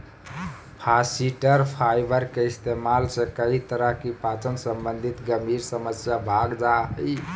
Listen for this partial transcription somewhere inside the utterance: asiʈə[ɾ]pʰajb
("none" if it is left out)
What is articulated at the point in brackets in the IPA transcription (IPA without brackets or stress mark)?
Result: ɾ